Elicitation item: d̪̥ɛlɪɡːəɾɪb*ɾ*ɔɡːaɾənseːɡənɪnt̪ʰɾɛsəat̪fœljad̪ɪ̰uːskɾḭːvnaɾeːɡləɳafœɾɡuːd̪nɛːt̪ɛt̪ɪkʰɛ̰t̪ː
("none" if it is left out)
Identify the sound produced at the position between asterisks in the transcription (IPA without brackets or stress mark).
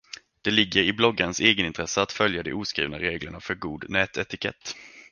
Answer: l